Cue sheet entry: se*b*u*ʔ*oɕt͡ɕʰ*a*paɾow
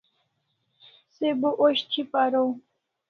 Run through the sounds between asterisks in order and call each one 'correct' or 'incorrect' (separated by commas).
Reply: correct, correct, incorrect